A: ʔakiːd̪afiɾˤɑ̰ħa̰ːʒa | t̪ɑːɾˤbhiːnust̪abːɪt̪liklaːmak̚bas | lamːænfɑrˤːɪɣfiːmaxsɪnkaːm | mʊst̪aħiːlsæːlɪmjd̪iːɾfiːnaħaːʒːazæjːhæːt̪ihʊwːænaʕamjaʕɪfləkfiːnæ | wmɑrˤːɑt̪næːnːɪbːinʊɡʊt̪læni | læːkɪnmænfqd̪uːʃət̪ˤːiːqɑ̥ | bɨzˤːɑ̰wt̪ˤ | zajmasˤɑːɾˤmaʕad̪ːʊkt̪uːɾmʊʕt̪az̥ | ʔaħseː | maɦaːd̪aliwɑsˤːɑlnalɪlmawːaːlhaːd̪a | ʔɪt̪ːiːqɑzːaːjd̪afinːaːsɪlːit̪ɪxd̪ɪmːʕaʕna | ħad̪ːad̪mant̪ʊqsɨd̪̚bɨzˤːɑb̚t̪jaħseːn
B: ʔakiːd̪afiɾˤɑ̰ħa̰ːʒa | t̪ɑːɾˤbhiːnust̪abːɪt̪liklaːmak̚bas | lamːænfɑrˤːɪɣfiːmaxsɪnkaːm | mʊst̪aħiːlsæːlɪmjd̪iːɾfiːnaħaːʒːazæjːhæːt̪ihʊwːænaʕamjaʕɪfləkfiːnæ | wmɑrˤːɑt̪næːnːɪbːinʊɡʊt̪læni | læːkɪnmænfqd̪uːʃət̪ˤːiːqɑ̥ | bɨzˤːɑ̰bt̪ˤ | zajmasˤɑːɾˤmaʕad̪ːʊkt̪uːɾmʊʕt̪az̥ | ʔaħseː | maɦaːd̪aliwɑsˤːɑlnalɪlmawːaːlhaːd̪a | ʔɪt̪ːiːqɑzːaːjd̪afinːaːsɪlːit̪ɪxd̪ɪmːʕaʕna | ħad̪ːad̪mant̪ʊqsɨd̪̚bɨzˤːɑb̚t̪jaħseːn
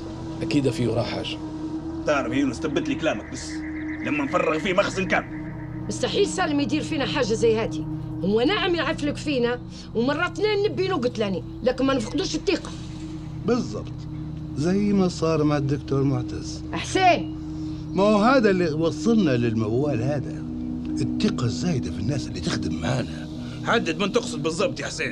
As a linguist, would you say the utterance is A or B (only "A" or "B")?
B